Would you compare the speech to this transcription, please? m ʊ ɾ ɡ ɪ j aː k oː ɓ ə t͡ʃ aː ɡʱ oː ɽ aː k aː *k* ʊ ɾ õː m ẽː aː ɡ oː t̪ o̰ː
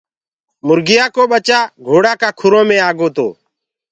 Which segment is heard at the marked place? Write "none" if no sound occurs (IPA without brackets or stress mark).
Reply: kʰ